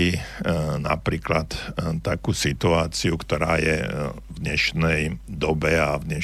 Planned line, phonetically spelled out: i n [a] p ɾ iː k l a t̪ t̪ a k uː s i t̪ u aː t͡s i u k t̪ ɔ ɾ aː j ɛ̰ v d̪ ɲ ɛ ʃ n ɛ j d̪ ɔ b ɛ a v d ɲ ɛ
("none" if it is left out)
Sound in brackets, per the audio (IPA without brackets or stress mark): a